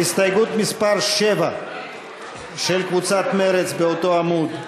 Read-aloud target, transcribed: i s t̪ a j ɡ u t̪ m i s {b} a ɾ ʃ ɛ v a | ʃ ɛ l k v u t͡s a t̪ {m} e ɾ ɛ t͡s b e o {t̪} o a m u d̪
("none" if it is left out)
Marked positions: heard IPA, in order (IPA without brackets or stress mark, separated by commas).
p, m, t̪